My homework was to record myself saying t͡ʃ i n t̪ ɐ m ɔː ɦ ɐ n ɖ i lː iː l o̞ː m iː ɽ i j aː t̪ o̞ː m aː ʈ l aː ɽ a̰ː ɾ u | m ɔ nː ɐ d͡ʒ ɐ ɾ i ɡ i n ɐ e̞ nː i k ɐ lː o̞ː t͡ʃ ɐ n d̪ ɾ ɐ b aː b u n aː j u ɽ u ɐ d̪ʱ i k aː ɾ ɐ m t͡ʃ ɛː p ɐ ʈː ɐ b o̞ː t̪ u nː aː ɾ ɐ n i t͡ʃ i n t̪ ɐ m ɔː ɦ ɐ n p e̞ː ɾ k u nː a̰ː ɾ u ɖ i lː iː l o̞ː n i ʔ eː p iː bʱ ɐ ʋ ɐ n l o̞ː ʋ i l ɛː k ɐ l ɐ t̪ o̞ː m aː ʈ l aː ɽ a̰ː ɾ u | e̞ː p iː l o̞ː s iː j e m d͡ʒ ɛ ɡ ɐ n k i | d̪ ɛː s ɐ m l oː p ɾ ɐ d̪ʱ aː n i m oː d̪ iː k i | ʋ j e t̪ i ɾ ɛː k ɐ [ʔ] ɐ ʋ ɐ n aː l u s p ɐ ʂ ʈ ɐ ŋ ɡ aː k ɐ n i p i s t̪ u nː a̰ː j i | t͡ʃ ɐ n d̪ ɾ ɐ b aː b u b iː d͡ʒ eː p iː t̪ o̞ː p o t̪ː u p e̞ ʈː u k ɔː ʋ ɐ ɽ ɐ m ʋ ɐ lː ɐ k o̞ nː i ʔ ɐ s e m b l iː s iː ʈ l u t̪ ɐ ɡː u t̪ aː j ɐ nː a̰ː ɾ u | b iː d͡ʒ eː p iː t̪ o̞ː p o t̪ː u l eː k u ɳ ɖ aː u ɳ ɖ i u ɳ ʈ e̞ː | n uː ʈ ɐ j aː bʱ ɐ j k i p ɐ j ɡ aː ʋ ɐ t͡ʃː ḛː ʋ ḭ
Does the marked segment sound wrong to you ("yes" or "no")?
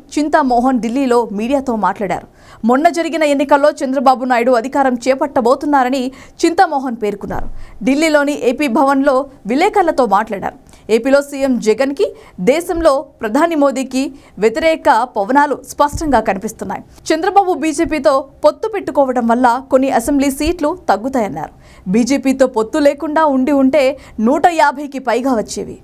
yes